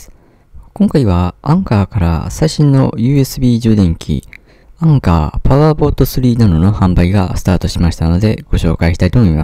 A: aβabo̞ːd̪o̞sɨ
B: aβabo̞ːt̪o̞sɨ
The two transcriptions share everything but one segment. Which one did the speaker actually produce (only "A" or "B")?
B